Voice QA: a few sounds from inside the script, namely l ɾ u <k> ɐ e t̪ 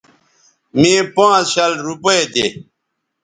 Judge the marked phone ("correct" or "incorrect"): incorrect